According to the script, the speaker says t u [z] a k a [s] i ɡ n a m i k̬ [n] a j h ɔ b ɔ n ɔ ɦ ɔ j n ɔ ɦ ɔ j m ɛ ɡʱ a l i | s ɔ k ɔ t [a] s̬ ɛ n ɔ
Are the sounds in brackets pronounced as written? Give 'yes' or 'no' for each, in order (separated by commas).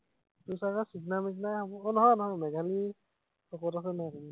no, yes, yes, yes